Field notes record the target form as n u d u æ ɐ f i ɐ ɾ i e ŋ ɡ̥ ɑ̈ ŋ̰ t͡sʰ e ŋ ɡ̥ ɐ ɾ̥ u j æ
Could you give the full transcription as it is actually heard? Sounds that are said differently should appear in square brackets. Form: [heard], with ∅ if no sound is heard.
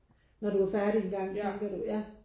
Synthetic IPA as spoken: n [ɒ] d u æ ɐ f [æ] ɐ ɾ i e [n] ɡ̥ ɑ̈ ŋ̰ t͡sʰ e ŋ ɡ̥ ɐ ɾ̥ u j æ